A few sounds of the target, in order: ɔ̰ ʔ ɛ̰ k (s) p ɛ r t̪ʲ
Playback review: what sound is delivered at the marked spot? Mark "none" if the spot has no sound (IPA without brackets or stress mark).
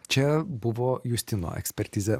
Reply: s